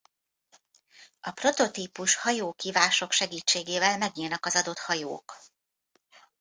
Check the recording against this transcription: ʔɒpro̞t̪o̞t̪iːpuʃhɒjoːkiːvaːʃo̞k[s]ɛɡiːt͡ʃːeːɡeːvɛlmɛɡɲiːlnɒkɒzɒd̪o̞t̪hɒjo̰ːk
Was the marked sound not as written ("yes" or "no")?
yes